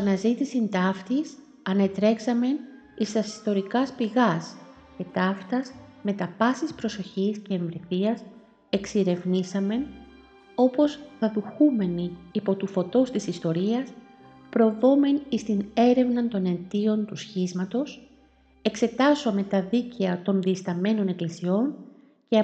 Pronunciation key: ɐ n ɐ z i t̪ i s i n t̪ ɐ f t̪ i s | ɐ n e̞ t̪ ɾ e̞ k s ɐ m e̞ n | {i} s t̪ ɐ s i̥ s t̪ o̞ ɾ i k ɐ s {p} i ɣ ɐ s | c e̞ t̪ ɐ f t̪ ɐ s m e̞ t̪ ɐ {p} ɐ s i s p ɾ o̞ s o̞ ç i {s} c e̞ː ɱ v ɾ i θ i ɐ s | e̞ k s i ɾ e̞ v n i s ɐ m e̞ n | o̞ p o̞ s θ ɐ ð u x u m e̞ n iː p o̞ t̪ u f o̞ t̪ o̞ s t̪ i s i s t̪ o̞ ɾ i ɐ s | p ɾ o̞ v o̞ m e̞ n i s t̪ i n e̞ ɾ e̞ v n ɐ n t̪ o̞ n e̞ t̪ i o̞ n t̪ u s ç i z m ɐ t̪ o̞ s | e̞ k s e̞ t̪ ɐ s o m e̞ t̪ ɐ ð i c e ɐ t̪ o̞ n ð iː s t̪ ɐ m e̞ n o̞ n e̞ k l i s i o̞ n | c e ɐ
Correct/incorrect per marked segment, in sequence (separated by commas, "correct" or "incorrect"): correct, correct, correct, correct